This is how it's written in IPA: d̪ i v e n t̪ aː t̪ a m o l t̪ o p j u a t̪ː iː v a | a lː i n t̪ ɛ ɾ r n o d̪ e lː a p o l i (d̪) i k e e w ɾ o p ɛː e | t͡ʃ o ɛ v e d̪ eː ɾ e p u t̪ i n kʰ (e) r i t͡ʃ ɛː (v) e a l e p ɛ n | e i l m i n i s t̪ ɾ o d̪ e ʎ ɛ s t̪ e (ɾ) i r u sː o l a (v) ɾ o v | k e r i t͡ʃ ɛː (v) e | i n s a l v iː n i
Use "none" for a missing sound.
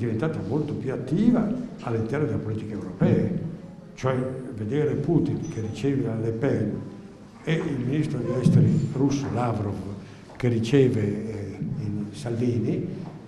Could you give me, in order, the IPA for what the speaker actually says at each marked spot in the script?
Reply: t̪, e, v, ɾ, v, v

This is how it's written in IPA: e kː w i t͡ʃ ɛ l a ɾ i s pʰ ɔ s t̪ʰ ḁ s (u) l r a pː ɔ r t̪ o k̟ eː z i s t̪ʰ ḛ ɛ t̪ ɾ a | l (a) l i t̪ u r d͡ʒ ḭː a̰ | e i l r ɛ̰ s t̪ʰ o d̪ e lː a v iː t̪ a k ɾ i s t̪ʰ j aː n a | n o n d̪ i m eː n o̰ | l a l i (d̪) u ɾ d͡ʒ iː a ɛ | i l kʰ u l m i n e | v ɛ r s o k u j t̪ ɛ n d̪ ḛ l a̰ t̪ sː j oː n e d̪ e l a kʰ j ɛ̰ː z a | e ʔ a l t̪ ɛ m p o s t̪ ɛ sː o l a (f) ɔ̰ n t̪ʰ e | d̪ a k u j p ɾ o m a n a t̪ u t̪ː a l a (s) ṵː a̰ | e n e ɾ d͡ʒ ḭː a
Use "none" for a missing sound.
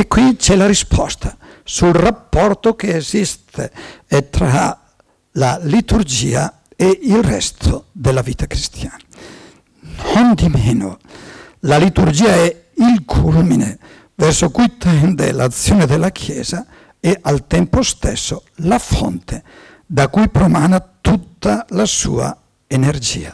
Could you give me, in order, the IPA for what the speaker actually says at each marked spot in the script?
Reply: u, a, t̪, f, s

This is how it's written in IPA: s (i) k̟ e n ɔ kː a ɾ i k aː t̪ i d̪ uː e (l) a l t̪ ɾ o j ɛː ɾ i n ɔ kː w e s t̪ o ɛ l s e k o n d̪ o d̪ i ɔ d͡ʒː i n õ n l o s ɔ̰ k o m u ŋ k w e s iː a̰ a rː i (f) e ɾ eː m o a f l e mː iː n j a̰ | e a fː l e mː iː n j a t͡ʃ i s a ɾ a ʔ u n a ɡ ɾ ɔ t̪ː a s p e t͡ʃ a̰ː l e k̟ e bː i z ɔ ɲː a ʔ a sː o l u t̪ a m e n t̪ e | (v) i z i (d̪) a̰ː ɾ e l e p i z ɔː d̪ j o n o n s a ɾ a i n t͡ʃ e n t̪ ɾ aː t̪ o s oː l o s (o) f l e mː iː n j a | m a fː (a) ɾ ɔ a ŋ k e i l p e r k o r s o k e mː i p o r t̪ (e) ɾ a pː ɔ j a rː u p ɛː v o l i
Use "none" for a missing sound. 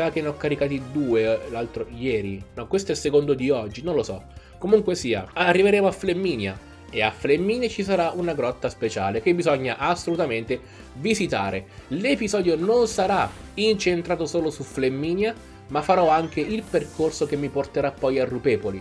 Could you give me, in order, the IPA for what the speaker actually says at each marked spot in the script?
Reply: a, l, v, v, t̪, u, a, e

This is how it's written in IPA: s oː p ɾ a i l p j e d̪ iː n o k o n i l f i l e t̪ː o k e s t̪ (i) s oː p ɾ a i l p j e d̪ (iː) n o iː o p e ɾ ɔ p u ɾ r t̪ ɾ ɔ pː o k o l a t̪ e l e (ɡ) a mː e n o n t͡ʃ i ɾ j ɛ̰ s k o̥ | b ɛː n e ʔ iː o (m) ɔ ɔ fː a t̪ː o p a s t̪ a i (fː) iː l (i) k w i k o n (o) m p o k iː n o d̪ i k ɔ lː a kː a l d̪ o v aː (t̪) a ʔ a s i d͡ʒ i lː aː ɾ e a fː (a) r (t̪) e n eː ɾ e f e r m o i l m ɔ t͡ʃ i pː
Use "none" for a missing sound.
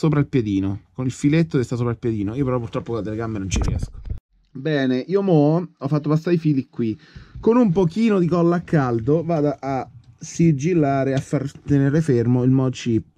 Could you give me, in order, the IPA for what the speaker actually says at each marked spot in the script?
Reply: a, iː, ɡ, m, f, i, u, d̪, a, t̪

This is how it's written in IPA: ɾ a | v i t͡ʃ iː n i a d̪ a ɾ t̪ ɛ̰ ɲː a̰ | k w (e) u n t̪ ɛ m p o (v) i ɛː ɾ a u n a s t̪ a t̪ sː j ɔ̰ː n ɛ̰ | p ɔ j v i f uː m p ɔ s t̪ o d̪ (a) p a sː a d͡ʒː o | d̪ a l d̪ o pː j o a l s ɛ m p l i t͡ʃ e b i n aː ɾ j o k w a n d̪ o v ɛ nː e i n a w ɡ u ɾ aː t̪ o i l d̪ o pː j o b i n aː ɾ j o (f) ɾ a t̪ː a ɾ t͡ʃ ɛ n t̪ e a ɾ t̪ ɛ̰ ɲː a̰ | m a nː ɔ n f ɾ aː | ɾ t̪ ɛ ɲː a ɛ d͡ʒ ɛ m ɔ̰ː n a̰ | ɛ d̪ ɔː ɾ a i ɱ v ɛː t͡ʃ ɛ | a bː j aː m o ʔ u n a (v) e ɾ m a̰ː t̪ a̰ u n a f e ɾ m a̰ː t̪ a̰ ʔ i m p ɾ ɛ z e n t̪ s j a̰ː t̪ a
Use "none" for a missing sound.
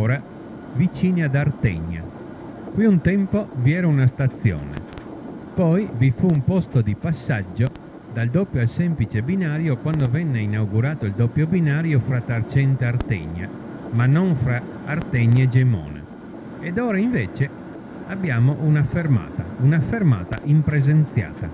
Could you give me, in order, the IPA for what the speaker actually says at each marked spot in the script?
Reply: i, v, i, f, f

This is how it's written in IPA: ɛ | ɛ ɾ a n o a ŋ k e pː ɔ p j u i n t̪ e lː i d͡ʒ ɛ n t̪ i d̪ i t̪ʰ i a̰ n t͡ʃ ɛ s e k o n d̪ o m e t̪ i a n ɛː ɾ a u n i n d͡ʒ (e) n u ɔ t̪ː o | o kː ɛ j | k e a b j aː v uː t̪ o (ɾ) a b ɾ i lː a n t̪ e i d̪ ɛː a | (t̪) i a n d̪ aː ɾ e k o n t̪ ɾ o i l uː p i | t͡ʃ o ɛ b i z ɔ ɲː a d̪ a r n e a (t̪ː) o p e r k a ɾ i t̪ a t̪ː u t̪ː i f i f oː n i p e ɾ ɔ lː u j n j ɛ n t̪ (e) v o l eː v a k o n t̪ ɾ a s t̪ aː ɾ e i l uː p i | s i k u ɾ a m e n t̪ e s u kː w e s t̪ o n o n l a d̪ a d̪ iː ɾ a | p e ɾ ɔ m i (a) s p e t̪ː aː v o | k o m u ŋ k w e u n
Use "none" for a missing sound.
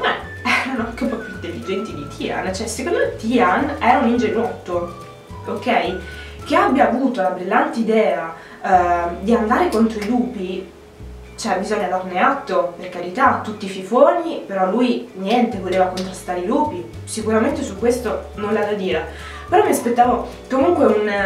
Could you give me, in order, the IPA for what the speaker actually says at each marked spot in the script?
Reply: e, l, d̪, t̪ː, e, a

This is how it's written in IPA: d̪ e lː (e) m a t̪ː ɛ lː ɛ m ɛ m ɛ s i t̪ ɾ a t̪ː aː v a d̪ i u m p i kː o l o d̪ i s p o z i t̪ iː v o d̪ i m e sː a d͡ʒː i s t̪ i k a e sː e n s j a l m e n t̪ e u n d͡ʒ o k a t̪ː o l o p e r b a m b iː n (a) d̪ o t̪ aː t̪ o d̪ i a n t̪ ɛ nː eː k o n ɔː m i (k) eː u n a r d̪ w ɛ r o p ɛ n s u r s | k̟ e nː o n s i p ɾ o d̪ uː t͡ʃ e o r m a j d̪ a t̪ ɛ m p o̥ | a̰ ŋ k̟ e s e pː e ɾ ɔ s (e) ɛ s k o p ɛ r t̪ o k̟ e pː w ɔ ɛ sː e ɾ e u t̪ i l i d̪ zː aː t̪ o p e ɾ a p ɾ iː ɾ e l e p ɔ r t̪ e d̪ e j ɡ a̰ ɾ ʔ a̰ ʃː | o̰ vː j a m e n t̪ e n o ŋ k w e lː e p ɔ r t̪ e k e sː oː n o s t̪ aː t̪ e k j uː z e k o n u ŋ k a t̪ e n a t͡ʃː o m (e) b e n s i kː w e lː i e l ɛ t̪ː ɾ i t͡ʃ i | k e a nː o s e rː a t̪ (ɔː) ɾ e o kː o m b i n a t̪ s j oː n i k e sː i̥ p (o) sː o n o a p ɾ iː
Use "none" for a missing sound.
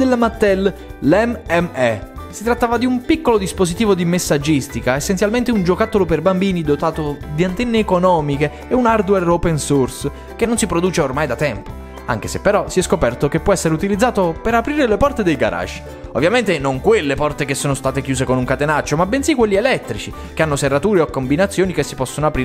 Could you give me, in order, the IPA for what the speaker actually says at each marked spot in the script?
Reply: a, i, k, i, a, uː, ɔ

